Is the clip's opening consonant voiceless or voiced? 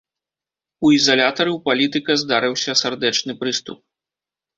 voiced